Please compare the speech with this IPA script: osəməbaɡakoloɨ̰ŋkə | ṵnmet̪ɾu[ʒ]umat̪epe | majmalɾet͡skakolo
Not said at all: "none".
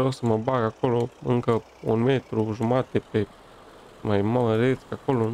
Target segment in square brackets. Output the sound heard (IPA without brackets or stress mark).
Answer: ʒ